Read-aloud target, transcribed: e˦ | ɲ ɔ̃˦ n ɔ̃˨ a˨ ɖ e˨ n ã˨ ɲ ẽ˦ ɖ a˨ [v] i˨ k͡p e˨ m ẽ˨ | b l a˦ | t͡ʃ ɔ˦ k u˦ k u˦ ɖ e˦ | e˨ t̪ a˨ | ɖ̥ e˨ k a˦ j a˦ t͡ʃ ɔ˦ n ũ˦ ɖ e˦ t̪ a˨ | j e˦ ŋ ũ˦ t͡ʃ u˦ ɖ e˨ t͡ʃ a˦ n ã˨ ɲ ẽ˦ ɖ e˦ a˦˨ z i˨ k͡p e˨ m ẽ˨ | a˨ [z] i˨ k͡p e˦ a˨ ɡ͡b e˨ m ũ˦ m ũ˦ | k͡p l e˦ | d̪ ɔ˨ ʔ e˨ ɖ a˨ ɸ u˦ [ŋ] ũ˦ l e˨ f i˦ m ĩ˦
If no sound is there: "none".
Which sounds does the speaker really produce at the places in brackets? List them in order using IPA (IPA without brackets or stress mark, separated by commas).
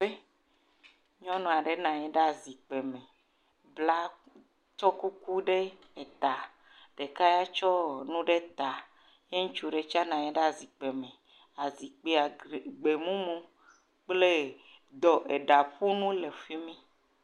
z, z, n